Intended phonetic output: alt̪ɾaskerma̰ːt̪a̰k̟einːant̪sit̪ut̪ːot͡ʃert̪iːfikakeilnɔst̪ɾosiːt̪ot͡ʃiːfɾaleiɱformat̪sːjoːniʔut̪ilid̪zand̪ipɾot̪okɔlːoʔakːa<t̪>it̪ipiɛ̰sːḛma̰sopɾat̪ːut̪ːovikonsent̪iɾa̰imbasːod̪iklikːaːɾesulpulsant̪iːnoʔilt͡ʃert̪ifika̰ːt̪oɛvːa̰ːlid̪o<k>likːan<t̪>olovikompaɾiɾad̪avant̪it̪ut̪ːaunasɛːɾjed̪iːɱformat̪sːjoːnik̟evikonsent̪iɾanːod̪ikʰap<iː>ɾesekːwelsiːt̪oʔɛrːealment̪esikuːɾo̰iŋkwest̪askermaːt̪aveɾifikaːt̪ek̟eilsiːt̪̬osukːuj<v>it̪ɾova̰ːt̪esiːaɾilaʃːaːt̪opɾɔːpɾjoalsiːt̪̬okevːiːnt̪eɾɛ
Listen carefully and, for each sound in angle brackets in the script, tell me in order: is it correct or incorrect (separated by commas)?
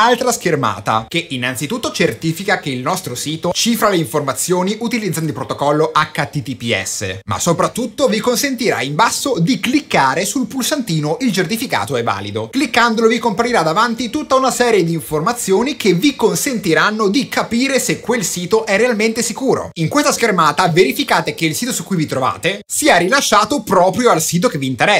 correct, correct, incorrect, correct, correct